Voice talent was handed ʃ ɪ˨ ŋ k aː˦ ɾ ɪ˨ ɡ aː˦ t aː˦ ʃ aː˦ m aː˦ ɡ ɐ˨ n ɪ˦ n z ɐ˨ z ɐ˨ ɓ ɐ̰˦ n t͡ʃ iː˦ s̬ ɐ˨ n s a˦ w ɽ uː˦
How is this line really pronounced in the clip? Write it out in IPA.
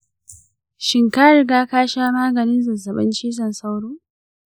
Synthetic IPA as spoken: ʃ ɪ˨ ŋ k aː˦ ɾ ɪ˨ ɡ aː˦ k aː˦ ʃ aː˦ m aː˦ ɡ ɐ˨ n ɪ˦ n z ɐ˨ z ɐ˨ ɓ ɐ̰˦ n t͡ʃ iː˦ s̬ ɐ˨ n s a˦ w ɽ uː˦